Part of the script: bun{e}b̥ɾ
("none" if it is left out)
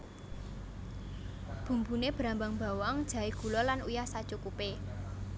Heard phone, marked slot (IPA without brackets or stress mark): e